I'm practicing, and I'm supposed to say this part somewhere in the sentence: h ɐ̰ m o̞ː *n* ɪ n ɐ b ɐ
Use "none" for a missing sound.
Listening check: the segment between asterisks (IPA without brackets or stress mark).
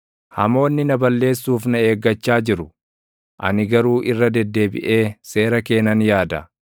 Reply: nː